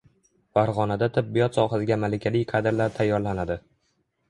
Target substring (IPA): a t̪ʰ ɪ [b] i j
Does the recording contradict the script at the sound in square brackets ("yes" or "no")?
yes